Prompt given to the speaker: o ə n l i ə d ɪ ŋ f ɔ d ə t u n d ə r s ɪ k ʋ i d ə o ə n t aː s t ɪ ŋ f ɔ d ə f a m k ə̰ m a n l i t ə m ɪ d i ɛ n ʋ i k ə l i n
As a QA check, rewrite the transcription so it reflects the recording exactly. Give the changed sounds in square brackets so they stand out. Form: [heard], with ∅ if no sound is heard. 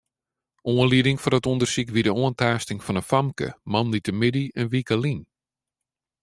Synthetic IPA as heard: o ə n l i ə d ɪ ŋ f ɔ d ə t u n d ə r s [i] k ʋ i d ə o ə n t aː s t ɪ ŋ f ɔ [n] ə f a m k ə̰ m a n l i t ə m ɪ d i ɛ n ʋ i k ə l i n